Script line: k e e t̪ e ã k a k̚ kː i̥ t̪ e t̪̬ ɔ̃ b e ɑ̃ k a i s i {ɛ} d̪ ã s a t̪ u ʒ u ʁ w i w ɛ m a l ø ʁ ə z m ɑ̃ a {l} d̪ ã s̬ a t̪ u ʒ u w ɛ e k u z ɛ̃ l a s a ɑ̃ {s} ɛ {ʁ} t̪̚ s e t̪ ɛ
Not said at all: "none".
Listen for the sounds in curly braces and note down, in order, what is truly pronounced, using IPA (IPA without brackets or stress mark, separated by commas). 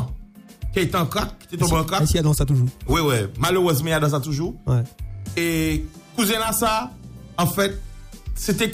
a, none, f, none